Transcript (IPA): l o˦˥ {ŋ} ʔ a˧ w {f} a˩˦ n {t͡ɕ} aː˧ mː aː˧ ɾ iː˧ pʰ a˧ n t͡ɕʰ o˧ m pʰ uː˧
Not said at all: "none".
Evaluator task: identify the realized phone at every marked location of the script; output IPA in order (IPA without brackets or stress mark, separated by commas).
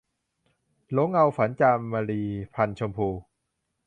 ŋ, f, t͡ɕ